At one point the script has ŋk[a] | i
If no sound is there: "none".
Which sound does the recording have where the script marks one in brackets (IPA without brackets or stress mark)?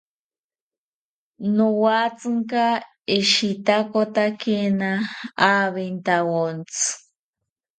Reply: a